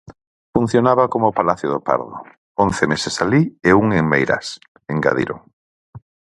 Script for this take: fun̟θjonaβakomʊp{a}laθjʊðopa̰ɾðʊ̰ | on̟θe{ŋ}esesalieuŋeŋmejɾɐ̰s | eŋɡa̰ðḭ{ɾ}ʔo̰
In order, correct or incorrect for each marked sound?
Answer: correct, incorrect, correct

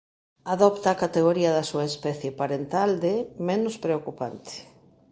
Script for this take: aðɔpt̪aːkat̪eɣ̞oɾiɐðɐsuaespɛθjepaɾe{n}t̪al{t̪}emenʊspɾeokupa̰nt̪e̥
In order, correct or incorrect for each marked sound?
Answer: correct, incorrect

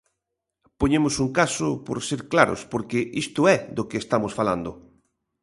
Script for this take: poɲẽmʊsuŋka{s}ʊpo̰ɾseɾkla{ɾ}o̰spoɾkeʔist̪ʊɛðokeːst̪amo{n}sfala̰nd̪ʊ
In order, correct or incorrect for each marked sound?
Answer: correct, correct, incorrect

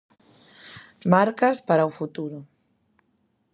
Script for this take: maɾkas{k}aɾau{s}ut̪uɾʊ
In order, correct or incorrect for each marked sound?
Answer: incorrect, incorrect

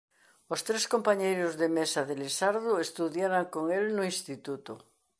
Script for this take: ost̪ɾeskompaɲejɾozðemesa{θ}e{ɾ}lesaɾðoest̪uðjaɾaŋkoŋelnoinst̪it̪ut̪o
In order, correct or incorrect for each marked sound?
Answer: incorrect, incorrect

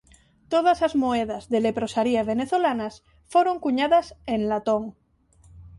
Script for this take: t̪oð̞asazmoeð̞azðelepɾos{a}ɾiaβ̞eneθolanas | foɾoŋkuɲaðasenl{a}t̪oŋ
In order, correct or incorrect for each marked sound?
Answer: correct, correct

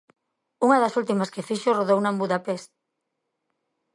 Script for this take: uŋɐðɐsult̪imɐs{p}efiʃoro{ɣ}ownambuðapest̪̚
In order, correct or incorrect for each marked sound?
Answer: incorrect, incorrect

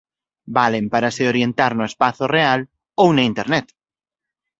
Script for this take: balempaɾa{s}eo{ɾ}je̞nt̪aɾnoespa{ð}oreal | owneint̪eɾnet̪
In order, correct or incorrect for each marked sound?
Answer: correct, correct, incorrect

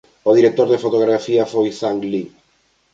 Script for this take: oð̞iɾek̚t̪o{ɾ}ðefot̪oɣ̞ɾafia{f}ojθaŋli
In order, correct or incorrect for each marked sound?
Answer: correct, correct

